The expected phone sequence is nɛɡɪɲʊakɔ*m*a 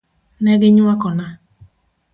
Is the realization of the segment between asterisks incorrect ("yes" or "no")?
yes